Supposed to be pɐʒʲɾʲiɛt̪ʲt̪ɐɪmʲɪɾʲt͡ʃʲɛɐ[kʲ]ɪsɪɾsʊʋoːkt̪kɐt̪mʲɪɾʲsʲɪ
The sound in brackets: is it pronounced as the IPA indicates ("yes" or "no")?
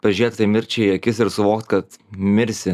yes